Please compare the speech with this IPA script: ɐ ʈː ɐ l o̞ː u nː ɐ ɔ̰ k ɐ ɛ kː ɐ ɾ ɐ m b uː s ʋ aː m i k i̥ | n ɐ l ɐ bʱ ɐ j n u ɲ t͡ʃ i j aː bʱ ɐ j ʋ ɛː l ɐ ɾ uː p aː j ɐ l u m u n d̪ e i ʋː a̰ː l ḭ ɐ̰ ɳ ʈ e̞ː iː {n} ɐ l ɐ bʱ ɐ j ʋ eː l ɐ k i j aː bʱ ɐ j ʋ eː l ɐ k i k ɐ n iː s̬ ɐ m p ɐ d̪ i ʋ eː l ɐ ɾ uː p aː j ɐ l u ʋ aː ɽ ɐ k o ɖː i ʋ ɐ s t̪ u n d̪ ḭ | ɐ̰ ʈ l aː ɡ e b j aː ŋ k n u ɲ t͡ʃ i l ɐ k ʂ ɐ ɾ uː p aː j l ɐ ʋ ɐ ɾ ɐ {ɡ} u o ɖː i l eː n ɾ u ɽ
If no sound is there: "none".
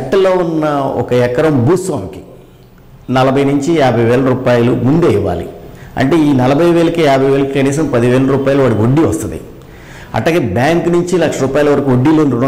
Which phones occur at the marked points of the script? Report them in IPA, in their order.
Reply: n, k

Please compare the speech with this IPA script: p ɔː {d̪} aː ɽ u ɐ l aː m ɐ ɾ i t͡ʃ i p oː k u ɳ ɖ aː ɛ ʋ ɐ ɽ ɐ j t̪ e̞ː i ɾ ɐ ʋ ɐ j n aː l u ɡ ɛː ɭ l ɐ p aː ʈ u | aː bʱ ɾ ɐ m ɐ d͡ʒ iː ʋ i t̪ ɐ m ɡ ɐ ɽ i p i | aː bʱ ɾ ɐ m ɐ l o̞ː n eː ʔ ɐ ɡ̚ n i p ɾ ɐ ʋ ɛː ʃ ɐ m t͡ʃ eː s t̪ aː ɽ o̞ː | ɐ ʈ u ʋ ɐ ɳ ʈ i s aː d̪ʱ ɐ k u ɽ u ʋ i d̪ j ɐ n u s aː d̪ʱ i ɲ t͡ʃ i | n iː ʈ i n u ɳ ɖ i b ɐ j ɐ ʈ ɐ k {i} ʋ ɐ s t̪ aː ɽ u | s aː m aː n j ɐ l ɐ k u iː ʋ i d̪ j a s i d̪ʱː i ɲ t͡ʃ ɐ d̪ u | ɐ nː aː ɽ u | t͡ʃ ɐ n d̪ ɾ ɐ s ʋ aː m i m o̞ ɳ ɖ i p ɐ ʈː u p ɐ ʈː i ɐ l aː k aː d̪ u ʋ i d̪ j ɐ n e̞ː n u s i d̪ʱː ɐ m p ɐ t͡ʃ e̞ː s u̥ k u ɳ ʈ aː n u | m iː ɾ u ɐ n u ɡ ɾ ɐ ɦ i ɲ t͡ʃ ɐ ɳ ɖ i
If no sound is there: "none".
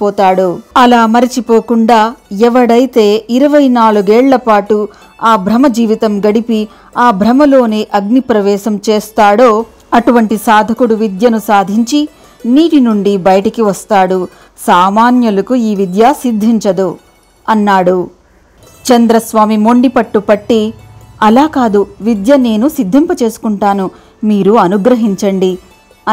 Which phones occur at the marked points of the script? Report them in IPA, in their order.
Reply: t̪, i

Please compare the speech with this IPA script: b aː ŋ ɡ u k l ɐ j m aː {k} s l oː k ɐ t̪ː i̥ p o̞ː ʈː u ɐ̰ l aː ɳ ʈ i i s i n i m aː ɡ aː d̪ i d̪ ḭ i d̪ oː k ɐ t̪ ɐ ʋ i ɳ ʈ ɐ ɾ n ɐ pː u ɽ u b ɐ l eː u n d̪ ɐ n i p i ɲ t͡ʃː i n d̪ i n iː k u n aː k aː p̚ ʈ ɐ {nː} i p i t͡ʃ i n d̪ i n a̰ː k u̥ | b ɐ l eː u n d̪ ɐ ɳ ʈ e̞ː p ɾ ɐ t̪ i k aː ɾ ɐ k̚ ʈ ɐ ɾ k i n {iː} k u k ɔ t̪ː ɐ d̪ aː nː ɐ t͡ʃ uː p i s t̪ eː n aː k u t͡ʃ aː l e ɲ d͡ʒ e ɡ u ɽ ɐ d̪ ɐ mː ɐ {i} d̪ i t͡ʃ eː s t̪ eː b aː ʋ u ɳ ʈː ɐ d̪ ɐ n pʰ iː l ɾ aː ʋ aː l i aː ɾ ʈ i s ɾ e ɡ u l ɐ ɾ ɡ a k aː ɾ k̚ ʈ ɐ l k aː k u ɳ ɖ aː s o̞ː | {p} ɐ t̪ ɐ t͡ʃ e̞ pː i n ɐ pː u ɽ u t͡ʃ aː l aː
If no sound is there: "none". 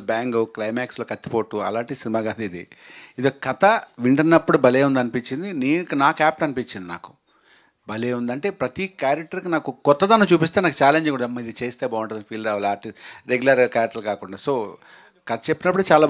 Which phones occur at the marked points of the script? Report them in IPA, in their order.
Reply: k, n, aː, i, k

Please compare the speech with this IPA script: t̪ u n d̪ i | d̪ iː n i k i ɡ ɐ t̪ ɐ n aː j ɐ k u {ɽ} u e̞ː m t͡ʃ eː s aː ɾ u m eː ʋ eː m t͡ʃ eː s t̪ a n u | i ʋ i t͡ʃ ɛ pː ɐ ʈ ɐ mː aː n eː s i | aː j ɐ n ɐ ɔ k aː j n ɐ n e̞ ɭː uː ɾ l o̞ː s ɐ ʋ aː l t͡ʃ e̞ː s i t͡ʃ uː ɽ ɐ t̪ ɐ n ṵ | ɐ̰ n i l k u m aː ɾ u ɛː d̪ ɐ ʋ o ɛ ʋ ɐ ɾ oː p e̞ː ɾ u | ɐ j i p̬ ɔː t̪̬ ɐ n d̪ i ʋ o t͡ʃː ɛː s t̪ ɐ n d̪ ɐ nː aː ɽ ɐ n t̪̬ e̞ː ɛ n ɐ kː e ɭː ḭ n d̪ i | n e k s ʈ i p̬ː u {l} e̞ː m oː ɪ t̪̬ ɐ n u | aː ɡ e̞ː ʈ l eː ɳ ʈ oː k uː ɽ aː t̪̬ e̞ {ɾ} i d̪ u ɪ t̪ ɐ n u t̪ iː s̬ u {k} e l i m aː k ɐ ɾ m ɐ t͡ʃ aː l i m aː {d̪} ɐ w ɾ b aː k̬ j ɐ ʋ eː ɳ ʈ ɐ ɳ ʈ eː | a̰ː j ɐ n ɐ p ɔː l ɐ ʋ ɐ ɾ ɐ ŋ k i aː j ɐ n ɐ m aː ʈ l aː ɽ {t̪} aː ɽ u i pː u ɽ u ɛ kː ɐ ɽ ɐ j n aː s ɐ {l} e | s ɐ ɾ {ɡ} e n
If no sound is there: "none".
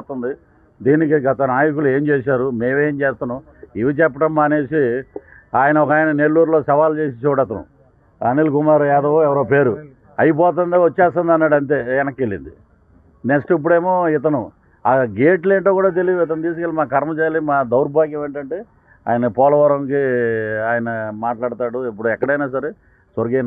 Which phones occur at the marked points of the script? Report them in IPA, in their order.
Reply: l, ɽ, l, k, d̪, t̪, ɾ, ɡ

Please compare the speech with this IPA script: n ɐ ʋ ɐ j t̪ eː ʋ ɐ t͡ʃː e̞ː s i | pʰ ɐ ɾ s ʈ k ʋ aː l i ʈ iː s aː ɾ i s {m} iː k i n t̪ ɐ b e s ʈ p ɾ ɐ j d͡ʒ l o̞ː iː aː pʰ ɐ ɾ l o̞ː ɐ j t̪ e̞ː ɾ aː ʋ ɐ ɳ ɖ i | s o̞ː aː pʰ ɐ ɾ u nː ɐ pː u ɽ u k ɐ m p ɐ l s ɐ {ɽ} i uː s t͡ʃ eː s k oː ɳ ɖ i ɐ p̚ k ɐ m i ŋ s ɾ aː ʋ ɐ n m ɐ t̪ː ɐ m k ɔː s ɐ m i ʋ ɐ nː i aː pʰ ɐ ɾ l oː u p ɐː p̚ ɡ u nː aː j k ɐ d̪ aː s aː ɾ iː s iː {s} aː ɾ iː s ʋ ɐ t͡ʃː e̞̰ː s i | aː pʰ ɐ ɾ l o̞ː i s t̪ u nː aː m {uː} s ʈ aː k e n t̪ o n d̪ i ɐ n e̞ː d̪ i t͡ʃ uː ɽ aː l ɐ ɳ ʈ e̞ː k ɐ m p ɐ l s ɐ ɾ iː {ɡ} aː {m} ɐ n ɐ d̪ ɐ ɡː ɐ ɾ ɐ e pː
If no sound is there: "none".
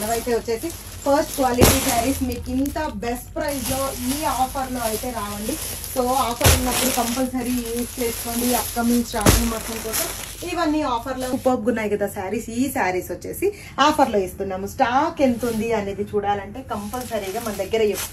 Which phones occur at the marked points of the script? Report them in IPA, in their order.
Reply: m, ɾ, s, u, ɡ, m

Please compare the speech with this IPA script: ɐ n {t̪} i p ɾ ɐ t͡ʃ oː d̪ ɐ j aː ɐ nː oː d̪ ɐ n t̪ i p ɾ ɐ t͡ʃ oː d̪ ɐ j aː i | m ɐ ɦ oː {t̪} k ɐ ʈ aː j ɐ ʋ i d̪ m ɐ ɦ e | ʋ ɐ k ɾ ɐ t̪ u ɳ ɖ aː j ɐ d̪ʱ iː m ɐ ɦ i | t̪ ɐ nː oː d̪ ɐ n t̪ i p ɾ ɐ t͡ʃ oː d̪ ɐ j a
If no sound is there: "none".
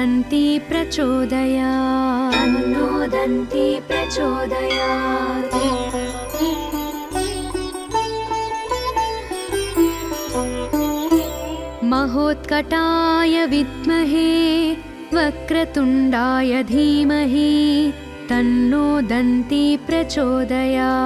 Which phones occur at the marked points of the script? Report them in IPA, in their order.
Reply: t̪, t̪

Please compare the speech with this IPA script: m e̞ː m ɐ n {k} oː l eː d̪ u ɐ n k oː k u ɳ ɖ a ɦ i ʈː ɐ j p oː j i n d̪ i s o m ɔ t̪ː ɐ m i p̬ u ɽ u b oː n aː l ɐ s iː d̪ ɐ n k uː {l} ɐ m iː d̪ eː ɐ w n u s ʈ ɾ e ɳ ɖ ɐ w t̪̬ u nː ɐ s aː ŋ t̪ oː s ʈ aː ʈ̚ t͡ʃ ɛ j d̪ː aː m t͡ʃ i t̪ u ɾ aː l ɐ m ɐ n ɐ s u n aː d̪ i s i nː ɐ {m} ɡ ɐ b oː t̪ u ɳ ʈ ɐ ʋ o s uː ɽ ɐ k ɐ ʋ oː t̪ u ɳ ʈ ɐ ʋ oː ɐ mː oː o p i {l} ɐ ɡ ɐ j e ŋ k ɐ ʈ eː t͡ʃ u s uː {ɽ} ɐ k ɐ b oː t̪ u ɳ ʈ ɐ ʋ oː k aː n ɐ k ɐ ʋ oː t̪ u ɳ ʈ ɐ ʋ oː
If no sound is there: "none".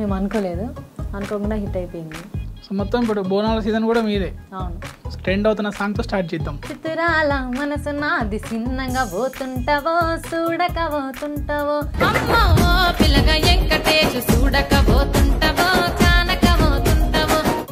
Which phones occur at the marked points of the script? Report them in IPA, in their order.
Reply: k, ɽ, ŋ, l, ɽ

